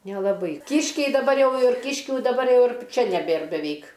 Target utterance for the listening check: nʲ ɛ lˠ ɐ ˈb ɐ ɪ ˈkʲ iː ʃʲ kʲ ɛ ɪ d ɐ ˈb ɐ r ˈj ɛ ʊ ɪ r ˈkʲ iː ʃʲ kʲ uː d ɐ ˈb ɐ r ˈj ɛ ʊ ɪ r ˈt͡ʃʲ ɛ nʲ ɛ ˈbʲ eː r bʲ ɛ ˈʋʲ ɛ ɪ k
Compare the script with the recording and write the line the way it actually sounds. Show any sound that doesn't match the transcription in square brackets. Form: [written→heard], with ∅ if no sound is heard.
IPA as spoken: nʲ ɛ lˠ ɐ ˈb ɐ ɪ ˈkʲ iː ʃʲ kʲ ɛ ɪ d ɐ ˈb ɐ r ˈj ɛ ʊ ɪ r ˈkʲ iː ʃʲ kʲ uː d ɐ ˈb ɐ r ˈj ɛ ʊ ɪ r ˈt͡ʃʲ ɛ nʲ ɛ ˈbʲ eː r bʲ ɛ ˈʋʲ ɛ ɪ k